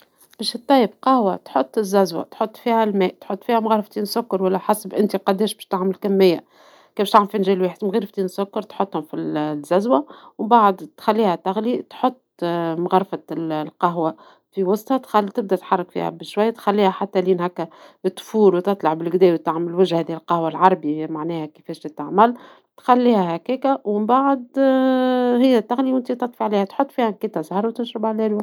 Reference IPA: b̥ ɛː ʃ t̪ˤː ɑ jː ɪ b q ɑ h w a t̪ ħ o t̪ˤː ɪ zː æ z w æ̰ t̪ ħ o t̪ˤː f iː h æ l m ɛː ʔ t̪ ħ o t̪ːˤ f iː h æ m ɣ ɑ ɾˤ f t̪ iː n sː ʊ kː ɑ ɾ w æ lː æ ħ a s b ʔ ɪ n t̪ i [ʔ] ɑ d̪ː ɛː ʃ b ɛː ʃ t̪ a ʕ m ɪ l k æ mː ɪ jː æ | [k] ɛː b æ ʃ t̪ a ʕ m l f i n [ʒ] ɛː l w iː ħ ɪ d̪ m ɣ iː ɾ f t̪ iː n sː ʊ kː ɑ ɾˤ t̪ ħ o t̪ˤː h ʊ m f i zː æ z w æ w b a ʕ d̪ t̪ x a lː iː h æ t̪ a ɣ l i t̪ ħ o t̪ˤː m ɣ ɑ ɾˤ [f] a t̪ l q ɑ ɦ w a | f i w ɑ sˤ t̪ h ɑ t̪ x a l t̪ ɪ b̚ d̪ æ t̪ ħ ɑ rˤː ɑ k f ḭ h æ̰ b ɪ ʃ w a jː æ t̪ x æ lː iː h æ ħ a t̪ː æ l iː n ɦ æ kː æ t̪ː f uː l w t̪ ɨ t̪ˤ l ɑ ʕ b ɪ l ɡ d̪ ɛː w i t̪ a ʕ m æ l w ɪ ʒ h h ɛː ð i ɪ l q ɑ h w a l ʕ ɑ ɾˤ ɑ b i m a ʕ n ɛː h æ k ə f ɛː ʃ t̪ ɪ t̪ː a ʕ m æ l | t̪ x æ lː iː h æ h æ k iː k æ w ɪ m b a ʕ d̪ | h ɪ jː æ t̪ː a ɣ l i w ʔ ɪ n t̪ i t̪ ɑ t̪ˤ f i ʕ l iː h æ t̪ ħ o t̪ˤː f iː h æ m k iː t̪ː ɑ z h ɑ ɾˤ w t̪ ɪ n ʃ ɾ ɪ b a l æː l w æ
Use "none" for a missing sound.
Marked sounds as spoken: q, k, ʒ, f

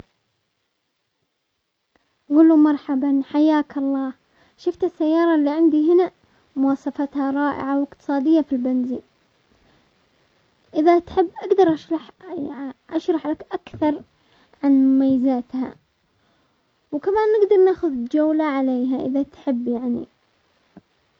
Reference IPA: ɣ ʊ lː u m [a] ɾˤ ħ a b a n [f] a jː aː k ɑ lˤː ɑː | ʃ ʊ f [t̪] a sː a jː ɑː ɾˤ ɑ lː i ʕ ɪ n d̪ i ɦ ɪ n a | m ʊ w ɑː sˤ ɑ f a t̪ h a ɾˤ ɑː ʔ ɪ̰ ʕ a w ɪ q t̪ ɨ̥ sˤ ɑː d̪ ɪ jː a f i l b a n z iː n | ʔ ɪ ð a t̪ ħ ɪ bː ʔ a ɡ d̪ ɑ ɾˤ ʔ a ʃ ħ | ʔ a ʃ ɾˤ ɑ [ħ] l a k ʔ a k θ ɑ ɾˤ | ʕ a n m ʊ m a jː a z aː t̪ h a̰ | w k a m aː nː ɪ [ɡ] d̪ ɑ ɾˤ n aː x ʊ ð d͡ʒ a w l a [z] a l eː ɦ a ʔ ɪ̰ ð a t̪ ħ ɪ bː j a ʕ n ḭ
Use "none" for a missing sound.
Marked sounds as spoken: ɑ, ħ, t̪, ħ, ɡ, ʕ

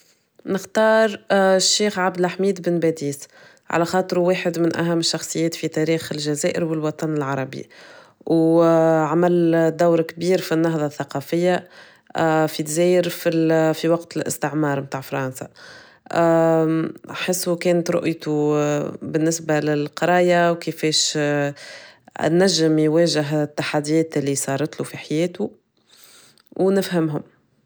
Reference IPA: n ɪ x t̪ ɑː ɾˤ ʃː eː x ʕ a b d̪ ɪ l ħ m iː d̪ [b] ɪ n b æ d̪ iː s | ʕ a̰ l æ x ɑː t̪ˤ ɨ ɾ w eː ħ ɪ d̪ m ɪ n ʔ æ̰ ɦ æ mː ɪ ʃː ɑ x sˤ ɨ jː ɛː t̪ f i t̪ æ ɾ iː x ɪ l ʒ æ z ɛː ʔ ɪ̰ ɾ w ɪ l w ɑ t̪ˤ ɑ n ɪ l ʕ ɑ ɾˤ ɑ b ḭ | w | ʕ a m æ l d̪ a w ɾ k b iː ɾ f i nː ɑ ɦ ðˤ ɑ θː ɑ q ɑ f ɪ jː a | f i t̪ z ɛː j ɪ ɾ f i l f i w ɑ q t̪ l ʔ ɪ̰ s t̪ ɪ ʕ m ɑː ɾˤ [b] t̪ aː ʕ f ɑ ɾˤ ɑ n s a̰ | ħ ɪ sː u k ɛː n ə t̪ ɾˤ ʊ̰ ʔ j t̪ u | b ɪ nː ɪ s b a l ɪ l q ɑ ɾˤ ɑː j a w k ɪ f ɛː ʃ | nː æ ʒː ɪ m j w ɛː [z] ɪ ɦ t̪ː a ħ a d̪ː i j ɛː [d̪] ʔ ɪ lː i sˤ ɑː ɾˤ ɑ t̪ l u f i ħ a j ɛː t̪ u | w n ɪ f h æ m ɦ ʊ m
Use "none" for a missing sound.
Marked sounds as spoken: b, m, ʒ, t̪

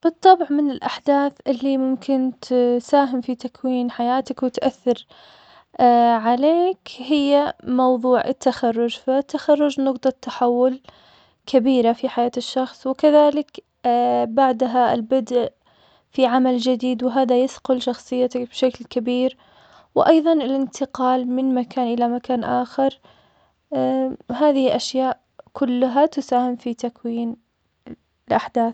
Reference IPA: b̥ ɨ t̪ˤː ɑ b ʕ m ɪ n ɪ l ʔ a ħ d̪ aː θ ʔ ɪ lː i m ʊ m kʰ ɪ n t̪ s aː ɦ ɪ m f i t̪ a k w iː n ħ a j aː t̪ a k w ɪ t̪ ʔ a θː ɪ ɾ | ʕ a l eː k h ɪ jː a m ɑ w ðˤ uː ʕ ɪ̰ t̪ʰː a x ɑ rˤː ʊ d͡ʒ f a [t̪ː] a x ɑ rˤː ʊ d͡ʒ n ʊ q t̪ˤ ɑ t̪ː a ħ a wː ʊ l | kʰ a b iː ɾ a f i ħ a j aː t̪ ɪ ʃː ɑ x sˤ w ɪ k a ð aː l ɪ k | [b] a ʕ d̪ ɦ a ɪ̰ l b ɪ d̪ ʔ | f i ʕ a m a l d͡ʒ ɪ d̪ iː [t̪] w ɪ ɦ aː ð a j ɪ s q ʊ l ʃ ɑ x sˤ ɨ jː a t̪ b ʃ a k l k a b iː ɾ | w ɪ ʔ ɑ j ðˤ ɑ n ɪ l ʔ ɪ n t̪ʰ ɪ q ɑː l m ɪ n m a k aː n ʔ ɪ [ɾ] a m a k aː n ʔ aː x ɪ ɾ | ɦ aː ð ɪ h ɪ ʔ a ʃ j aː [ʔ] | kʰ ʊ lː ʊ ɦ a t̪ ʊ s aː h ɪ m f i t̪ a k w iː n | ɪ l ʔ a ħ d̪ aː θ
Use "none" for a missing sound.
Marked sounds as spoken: t̪ː, b, d̪, l, ʔ

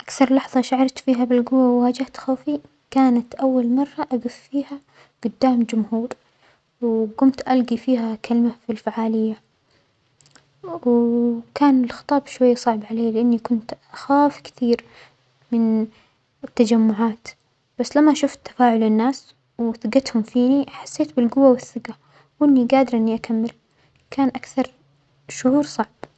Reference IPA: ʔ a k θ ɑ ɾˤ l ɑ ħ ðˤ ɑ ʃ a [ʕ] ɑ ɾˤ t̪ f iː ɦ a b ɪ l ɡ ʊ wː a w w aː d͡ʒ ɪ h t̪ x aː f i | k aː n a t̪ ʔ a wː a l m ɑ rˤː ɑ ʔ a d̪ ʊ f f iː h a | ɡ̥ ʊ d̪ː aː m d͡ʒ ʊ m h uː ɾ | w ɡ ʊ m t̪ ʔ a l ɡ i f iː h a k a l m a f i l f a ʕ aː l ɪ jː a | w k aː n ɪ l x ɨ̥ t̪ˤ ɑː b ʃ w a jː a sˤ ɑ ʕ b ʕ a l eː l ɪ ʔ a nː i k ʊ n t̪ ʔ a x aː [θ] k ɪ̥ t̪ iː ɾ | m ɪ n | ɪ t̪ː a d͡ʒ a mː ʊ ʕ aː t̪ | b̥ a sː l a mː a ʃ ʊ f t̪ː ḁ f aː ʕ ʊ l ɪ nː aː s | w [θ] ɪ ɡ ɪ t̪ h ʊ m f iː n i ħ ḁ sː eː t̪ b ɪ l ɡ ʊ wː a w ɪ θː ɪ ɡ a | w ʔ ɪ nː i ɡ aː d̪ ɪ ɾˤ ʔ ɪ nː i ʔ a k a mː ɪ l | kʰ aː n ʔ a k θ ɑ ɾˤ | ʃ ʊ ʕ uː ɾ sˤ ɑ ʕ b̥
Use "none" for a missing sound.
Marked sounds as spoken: ʕ, f, θ

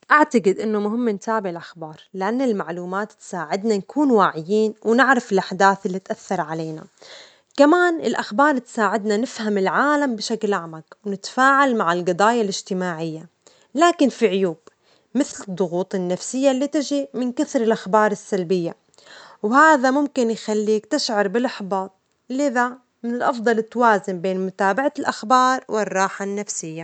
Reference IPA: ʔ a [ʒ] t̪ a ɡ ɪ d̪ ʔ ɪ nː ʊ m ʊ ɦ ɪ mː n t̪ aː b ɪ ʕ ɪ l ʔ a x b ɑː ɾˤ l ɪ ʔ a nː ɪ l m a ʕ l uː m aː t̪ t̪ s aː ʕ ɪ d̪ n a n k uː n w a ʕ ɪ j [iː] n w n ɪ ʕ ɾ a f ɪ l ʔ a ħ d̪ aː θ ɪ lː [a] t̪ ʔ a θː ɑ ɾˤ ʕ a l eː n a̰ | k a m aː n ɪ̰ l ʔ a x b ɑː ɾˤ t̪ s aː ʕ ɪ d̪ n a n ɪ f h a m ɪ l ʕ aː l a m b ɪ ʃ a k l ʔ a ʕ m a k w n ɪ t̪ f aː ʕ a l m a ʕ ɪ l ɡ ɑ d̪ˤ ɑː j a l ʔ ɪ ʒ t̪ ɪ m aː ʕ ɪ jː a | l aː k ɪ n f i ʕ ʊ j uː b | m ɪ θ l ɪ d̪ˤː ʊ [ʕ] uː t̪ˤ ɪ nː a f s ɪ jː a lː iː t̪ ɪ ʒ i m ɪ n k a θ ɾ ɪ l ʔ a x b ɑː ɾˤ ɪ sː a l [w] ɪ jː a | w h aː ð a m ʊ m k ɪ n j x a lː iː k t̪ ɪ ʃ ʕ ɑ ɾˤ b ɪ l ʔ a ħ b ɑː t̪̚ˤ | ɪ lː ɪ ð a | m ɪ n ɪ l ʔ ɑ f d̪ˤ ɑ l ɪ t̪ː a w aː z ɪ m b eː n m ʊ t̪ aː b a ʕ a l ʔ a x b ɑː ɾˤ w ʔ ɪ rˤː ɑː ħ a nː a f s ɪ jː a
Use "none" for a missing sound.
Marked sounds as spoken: ʕ, iː, i, ɣ, b

